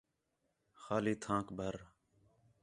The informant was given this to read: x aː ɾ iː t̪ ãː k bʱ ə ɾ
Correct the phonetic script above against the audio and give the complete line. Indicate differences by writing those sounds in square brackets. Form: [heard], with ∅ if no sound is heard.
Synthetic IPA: x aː [l] iː [t̪ʰ] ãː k bʱ ə ɾ